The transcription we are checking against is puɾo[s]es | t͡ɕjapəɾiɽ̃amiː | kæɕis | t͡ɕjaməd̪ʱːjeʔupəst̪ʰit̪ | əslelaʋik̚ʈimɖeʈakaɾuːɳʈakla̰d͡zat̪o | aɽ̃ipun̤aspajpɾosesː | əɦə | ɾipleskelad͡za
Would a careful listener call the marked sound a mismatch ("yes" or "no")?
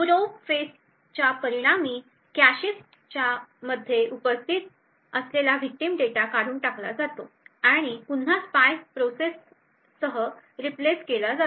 yes